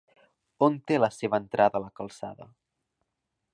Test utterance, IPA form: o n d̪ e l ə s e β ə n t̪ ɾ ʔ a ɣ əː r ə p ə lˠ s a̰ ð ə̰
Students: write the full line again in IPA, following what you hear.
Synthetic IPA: o n t̪ e l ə s e β ə n t̪ ɾ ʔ a ð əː l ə k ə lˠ s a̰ ð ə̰